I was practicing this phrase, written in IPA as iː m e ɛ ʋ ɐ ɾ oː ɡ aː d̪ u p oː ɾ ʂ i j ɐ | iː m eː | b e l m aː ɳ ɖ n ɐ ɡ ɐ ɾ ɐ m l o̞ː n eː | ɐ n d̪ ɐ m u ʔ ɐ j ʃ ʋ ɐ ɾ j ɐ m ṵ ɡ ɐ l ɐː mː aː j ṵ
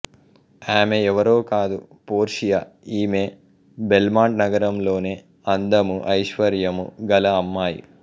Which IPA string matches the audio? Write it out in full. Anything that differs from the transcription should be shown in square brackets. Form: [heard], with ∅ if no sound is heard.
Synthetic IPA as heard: [aː] m e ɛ ʋ ɐ ɾ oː [k] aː d̪ u p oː ɾ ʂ i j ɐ | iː m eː | b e l m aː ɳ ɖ n ɐ ɡ ɐ ɾ ɐ m l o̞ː n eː | ɐ n d̪ ɐ m u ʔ ɐ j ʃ ʋ ɐ ɾ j ɐ m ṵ ɡ ɐ l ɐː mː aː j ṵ